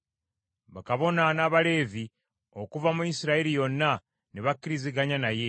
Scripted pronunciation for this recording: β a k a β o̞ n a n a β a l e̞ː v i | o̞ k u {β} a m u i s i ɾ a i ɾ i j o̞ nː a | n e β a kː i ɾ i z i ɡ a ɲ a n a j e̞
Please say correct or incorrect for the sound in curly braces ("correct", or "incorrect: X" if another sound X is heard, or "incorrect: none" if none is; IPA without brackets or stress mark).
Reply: incorrect: v